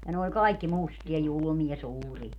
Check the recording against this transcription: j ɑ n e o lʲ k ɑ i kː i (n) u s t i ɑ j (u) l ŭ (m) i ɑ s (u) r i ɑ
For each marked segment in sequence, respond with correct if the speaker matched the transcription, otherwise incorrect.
incorrect: m, correct, correct, incorrect: uː

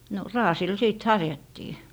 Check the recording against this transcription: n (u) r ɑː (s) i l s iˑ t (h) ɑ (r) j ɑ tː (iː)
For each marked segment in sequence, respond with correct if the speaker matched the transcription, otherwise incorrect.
incorrect: o, correct, correct, correct, correct

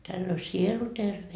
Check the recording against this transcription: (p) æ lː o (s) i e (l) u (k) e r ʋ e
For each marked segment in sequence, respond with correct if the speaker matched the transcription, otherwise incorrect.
incorrect: t, correct, correct, incorrect: t

